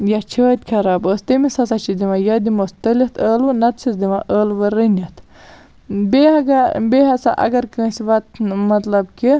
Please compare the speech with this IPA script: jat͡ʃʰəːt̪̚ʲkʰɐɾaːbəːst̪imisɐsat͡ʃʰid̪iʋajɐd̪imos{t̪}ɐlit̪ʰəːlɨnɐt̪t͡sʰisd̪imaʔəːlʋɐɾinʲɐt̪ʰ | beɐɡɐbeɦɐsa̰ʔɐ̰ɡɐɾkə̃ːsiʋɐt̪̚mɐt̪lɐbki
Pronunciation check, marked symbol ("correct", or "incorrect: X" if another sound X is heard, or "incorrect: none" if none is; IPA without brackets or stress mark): correct